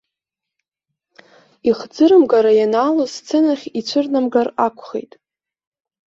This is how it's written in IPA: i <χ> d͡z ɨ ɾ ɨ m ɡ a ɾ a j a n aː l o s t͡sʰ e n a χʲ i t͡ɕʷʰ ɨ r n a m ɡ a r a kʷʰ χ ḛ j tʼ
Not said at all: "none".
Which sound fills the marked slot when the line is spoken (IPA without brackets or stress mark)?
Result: χ